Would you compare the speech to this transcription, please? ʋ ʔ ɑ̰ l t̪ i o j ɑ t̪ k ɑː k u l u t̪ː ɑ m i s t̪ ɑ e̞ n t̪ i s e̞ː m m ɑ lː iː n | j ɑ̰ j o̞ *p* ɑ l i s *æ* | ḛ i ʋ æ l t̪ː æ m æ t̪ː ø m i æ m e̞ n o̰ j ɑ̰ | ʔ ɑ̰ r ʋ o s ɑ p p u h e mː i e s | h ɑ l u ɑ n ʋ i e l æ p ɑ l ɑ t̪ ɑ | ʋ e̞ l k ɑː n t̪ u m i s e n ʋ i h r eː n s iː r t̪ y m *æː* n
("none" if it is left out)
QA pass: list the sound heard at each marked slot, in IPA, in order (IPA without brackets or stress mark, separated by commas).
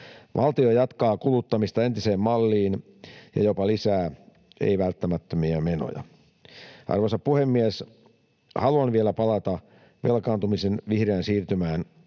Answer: p, æː, æː